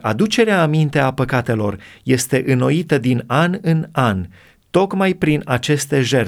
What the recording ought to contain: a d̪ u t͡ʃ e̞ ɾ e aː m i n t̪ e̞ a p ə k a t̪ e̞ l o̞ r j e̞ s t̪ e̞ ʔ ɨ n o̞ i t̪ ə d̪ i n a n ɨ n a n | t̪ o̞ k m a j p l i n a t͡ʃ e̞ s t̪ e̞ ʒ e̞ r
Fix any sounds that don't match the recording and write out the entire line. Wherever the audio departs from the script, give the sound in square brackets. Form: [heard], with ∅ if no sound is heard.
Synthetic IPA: a d̪ u t͡ʃ e̞ ɾ e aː m i n t̪ e̞ a p ə k a t̪ e̞ l o̞ r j e̞ s t̪ e̞ ʔ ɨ n o̞ i t̪ ə d̪ i n a n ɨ n a n | t̪ o̞ k m a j p [ɾ] i n a t͡ʃ e̞ s t̪ e̞ ʒ e̞ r